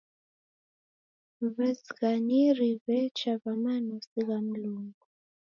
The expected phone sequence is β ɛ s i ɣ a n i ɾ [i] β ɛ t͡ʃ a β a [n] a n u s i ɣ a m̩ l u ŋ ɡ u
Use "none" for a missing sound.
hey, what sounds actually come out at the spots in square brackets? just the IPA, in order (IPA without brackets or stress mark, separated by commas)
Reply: i, m